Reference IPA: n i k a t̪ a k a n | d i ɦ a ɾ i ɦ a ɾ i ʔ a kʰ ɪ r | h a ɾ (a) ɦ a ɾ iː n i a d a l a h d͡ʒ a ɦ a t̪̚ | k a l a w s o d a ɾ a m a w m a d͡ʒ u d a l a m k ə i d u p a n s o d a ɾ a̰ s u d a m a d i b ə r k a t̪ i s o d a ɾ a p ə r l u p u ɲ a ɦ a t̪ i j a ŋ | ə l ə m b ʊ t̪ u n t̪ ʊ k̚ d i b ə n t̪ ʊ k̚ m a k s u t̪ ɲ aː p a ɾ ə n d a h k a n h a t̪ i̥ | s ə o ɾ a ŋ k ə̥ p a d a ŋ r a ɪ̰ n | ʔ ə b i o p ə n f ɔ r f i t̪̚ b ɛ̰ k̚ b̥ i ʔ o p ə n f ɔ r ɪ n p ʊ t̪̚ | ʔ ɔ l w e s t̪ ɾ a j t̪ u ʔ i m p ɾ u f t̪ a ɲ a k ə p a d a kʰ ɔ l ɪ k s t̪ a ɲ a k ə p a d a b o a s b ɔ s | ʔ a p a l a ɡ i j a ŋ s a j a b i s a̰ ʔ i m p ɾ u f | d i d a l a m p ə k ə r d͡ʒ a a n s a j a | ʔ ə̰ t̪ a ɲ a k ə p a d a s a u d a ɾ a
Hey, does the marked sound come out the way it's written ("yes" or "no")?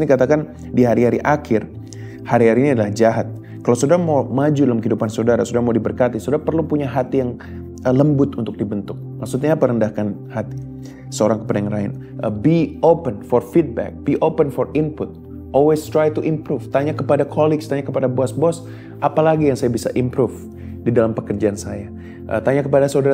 no